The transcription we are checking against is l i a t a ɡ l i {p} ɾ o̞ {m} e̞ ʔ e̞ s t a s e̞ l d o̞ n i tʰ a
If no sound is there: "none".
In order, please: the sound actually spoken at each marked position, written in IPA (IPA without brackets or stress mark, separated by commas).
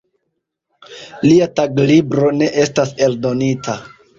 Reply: b, n